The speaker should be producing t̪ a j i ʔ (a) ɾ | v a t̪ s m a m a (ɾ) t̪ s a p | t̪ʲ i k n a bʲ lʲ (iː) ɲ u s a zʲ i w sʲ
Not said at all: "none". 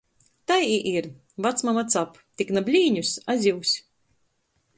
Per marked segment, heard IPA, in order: i, none, iː

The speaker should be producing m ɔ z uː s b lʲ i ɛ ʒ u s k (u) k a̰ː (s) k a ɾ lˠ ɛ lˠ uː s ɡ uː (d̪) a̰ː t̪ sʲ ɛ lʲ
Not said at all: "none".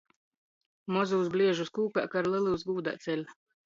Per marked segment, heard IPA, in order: uː, none, d̪

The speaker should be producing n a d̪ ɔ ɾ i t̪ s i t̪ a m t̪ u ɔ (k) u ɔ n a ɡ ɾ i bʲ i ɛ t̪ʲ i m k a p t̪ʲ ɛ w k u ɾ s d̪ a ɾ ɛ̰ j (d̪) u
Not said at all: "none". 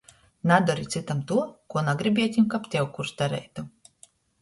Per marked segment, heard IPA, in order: k, t̪

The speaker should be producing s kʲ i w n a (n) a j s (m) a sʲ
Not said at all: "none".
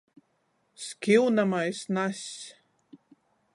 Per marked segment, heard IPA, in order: m, n

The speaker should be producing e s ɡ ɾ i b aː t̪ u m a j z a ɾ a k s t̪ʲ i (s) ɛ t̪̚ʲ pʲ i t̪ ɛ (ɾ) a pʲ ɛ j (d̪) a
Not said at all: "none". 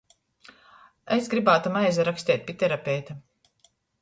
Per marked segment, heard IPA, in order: none, ɾ, t̪

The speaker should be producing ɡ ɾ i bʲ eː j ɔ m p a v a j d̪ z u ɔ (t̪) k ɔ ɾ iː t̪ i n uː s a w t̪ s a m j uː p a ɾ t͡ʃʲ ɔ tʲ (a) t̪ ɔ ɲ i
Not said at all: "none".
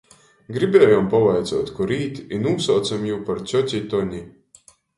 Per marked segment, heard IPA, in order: t̪, i

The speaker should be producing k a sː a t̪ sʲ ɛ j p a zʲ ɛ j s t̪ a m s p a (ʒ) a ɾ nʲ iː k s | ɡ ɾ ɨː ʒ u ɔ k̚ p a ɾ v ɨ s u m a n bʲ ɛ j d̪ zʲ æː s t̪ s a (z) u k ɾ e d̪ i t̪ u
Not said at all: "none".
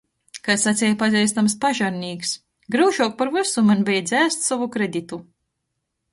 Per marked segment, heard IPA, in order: ʒ, v

